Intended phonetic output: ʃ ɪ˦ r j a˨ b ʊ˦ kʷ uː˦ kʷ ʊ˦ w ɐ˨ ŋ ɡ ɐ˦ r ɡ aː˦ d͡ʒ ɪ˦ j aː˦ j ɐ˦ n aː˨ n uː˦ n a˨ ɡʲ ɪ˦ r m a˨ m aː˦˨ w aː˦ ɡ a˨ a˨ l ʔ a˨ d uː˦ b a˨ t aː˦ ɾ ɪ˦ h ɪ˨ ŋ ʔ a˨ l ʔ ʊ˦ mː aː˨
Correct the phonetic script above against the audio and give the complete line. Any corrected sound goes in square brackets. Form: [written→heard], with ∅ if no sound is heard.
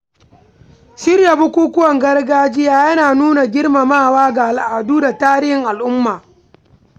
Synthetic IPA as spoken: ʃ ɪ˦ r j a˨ b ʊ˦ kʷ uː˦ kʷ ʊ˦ w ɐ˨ ŋ ɡ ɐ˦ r ɡ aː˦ d͡ʒ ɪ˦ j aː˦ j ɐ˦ n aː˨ n uː˦ n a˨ ɡʲ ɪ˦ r m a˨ m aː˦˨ w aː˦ ɡ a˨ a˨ l ʔ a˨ d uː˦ [b→d] a˨ t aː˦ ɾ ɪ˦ h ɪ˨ ŋ ʔ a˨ l ʔ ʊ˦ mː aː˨